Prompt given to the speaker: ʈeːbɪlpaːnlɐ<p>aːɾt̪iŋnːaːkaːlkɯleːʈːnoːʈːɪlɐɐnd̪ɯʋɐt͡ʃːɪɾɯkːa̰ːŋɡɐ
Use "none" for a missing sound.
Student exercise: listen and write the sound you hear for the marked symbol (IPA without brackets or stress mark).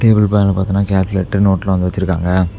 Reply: p